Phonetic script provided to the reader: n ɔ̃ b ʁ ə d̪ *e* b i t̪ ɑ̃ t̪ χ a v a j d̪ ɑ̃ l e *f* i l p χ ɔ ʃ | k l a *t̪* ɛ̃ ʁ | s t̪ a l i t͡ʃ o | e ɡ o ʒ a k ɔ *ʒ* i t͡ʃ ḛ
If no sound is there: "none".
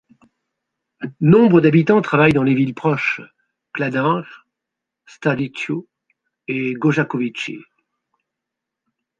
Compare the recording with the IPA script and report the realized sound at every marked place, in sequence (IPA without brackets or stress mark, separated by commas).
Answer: a, v, d̪, v